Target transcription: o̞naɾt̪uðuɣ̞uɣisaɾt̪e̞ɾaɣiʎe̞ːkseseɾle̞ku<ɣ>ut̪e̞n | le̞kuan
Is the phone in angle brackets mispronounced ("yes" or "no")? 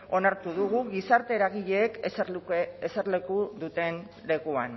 yes